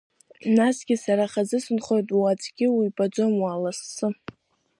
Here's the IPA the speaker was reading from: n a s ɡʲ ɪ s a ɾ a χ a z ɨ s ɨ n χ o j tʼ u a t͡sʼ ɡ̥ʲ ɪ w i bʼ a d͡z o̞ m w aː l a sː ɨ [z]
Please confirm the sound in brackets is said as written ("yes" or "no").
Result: no